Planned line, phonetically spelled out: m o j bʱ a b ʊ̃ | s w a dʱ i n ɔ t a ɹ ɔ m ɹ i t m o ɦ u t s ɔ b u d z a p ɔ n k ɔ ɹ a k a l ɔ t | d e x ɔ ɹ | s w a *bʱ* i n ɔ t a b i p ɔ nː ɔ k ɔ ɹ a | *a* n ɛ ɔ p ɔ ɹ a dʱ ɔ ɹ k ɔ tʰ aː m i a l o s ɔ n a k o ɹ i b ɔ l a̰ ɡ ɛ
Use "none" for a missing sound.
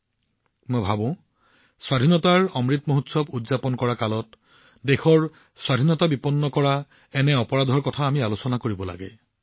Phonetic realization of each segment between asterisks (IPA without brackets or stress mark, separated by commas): dʱ, ɛ